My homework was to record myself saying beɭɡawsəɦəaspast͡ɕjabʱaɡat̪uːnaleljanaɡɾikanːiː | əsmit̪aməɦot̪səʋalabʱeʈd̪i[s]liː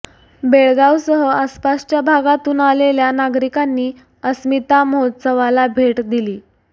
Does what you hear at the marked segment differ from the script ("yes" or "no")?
yes